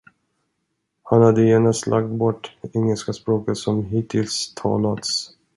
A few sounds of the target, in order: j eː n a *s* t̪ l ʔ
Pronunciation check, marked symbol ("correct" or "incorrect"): correct